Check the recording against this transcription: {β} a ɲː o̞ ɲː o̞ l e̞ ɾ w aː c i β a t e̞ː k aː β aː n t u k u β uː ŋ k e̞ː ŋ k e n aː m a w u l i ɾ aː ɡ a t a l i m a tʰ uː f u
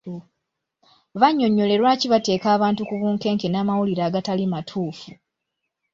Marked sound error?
no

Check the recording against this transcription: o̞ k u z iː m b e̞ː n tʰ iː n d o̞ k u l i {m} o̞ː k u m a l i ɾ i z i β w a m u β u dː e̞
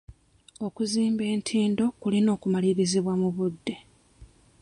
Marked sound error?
yes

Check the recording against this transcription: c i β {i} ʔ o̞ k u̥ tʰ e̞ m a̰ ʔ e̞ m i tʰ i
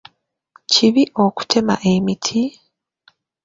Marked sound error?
no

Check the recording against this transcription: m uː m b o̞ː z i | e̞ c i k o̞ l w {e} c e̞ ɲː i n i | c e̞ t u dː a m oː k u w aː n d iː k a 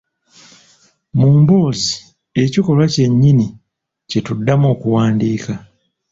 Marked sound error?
yes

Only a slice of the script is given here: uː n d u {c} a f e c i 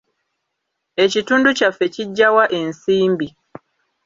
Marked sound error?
no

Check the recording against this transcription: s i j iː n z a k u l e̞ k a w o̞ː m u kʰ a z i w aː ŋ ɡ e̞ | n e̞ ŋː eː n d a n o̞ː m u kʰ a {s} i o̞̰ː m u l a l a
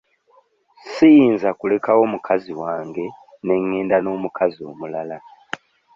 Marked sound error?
yes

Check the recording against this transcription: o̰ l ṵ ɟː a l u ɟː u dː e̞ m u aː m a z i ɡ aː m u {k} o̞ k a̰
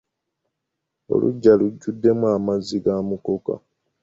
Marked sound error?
no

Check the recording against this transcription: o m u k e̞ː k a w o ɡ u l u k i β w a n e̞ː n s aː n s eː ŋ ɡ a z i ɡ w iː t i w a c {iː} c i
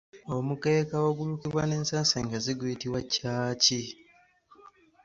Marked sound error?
yes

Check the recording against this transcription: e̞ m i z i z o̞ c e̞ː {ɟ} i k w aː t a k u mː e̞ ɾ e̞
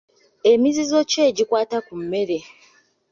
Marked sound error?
no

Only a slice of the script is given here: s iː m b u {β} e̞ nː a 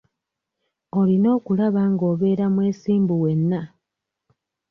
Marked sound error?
yes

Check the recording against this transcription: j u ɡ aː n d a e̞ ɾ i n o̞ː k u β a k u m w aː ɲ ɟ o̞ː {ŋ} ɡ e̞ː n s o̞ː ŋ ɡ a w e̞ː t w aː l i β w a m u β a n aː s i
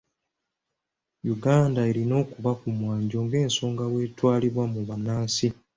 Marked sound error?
no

